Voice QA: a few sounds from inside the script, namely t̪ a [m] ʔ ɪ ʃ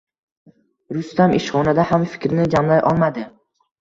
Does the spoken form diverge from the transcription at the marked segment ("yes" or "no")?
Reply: no